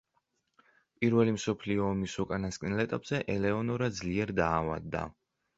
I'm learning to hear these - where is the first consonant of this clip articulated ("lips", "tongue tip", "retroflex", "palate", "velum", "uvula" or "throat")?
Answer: lips